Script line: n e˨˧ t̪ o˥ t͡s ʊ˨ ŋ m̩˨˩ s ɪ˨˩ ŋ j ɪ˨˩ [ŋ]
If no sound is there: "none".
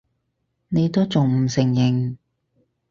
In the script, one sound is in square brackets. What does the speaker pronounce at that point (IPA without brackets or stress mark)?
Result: ŋ